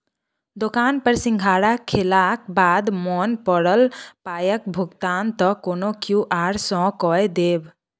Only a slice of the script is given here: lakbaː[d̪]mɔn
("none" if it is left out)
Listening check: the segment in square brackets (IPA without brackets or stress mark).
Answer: d̪